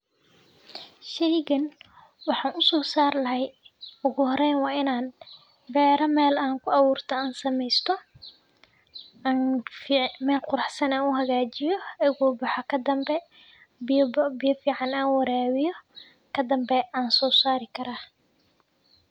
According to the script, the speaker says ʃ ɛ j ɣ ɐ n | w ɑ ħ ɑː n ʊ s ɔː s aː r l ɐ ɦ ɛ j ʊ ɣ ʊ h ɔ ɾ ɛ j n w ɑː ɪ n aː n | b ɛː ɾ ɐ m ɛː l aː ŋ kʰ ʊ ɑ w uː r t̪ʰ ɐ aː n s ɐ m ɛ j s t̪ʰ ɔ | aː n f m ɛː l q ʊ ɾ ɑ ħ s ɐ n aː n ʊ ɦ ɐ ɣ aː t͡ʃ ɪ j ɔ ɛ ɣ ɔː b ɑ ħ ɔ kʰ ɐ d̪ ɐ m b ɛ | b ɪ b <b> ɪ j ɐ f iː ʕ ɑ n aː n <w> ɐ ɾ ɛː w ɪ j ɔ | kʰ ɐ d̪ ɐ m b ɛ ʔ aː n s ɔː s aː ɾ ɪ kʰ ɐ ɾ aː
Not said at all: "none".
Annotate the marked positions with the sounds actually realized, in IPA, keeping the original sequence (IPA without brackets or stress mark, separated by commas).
b, w